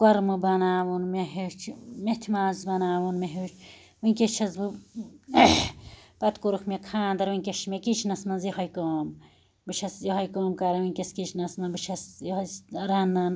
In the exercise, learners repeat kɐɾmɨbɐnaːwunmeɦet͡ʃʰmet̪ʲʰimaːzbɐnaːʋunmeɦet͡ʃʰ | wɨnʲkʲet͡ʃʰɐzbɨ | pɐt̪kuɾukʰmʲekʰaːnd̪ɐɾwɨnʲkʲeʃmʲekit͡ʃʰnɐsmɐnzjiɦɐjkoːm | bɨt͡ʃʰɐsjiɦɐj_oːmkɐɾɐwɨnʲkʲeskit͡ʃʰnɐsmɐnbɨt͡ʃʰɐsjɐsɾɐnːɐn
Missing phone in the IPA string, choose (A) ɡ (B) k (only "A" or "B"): B